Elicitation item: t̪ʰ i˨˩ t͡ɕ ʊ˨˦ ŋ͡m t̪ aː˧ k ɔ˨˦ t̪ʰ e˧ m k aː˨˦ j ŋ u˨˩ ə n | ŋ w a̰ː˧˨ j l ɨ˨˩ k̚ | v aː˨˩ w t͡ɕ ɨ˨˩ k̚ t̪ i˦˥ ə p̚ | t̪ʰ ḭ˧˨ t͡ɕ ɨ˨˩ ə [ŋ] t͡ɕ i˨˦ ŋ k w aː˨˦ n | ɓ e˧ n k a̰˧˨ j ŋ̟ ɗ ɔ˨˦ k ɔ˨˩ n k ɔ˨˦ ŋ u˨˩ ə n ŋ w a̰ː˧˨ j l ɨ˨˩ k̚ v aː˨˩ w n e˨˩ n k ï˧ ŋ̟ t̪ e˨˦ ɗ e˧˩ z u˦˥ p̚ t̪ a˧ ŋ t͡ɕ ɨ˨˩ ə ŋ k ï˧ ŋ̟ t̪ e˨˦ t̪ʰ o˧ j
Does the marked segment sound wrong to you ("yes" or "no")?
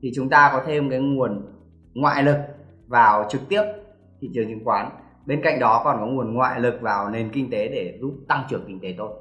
no